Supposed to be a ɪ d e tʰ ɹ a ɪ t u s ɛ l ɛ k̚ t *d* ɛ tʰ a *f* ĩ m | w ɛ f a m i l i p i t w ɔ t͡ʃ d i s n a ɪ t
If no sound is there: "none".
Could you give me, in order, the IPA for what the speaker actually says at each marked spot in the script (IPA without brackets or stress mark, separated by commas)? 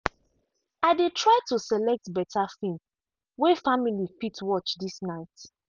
b, f